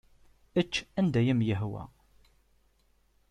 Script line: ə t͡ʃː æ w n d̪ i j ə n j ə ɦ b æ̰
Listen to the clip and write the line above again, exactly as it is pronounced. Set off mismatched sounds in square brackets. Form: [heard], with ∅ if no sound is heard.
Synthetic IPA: ə t͡ʃː æ [∅] n d̪ [æ] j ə [m] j ə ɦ [w] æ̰